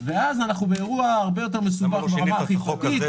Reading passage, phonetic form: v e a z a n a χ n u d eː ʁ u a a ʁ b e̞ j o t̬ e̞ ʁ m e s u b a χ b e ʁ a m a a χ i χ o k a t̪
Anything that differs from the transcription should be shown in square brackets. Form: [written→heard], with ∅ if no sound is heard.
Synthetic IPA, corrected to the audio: v e a z a n a χ n u [d→b] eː ʁ u a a ʁ b e̞ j o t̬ e̞ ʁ m e s u b a χ b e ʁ a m a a χ i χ o k [a→i] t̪